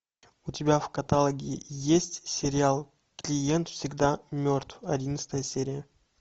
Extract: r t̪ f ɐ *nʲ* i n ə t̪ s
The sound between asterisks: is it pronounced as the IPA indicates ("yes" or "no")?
no